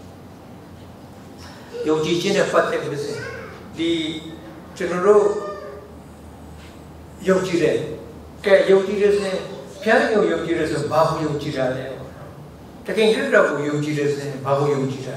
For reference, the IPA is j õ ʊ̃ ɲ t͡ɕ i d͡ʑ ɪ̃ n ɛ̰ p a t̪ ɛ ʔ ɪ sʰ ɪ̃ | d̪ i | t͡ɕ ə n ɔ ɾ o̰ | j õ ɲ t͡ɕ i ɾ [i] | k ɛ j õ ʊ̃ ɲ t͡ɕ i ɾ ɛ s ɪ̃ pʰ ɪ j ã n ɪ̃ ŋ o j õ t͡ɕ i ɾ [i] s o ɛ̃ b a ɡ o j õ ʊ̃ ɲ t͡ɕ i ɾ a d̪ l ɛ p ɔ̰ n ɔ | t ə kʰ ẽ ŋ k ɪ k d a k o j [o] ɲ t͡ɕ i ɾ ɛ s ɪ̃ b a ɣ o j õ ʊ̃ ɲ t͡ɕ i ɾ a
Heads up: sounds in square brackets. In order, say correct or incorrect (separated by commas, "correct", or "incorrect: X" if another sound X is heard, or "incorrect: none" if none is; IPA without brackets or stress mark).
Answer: incorrect: ɛ, incorrect: ɛ, incorrect: õ